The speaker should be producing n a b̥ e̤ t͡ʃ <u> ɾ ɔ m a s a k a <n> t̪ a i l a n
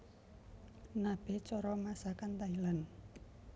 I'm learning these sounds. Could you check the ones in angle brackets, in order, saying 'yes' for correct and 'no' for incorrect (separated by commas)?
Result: no, yes